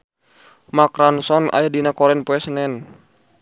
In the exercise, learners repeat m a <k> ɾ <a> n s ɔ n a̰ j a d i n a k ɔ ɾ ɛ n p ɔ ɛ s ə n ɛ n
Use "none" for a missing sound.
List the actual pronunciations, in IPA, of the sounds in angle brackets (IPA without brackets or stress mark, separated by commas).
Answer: k, a